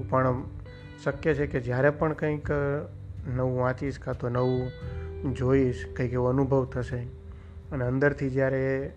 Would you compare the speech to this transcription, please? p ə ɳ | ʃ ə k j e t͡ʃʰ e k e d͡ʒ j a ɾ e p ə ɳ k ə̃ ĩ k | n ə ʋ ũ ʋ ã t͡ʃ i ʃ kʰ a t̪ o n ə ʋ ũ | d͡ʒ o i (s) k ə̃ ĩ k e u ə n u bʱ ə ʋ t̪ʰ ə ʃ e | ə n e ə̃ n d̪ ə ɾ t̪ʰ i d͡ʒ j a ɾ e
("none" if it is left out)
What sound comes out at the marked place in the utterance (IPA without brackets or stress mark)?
ʃ